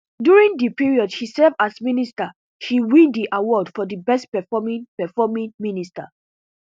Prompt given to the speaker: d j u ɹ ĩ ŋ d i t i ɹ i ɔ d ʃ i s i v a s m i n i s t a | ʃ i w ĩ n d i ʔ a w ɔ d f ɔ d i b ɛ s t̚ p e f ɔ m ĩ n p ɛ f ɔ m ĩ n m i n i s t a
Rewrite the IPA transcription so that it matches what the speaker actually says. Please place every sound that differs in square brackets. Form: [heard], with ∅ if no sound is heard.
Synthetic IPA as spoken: d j u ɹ ĩ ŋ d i [p] i ɹ i ɔ d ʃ i s [ɛ] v a s m i n i s t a | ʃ i w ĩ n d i ʔ a w ɔ d f ɔ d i b ɛ s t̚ p [ɛ] f ɔ m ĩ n p ɛ f ɔ m ĩ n m i n i s t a